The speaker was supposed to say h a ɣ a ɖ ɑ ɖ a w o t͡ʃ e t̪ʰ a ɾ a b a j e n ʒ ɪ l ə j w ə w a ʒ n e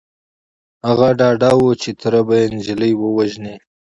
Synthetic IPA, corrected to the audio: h a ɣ a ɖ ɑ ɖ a w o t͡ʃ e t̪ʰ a ɾ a b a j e n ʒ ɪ l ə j w ə w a ʒ n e